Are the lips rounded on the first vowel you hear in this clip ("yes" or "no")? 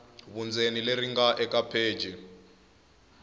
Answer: yes